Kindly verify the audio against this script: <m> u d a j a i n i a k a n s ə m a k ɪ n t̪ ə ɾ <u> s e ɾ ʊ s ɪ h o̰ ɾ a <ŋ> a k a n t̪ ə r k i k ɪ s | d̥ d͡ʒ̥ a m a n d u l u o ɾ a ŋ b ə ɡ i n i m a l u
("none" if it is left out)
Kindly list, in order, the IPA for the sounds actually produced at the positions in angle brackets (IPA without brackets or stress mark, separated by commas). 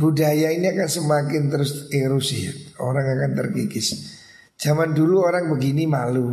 b, ʊ, ŋ